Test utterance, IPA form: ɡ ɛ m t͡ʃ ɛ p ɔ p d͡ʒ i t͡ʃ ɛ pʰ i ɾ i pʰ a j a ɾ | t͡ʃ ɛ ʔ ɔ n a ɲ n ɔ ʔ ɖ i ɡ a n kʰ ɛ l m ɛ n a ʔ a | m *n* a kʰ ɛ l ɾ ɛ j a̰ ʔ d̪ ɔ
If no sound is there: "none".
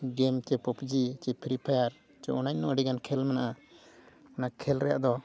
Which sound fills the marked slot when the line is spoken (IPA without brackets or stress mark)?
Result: n